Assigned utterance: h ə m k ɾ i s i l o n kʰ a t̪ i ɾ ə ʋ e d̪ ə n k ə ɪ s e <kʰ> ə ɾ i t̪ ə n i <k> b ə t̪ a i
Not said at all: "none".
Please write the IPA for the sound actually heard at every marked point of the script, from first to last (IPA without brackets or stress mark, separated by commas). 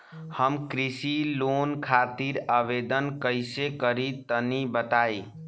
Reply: k, none